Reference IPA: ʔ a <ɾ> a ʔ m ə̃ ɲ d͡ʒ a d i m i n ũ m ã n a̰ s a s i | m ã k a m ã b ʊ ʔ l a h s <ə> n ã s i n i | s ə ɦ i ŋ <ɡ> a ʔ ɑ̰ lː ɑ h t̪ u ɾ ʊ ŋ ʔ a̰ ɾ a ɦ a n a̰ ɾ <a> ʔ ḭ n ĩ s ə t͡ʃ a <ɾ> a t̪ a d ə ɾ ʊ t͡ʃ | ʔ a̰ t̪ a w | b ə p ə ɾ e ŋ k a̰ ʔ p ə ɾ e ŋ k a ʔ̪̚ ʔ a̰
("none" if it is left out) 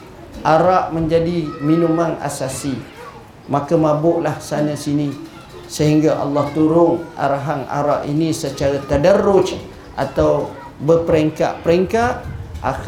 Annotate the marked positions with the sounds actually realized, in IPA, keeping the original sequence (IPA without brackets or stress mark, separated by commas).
ɾ, a, ɡ, a, ɾ